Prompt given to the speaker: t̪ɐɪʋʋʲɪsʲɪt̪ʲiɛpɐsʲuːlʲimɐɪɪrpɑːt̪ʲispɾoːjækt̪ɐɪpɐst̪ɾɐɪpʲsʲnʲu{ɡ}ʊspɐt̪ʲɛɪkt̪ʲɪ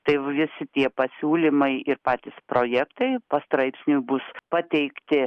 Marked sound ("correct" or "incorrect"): incorrect